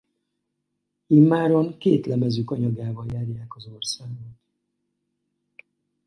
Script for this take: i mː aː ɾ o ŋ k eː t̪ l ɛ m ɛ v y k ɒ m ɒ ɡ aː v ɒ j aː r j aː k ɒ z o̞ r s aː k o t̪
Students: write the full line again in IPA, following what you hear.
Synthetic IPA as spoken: i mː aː ɾ o ŋ k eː t̪ l ɛ m ɛ z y k ɒ ɲ ɒ ɡ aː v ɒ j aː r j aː k ɒ z o̞ r s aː ɡ o t̪